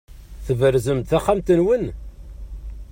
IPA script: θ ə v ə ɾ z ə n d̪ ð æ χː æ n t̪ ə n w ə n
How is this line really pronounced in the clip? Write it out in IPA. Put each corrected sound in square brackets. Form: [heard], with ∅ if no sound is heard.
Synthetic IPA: θ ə v ə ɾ z ə [m] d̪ [θ] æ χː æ [m] t̪ ə n w ə n